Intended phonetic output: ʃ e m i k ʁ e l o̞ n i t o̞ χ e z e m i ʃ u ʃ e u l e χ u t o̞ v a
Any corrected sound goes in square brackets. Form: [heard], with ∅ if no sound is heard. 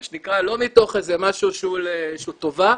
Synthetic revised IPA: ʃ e [n] i k ʁ [a] l o̞ [m] i t o̞ χ e z e m [a] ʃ u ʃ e u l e [ʃ] u t o̞ v a